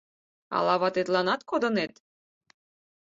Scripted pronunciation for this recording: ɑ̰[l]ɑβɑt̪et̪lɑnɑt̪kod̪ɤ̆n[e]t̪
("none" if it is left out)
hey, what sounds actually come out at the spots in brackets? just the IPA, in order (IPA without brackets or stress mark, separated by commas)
l, e